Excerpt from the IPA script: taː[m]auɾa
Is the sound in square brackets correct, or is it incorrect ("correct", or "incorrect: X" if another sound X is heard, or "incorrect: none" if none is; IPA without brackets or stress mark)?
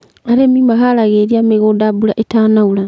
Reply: incorrect: n